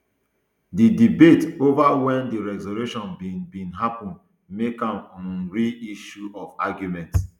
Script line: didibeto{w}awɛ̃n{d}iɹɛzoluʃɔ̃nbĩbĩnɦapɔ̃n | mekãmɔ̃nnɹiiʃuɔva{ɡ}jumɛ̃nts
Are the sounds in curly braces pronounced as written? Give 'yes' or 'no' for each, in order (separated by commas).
no, yes, yes